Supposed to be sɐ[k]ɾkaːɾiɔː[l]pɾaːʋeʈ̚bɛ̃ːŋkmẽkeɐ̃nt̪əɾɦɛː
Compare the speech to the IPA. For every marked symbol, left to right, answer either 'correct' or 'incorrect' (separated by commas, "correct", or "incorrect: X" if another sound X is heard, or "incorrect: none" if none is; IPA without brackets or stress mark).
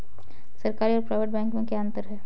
incorrect: none, incorrect: ɾ